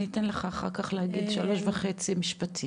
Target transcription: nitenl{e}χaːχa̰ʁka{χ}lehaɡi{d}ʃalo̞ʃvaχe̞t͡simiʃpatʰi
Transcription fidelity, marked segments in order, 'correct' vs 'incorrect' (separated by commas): correct, correct, correct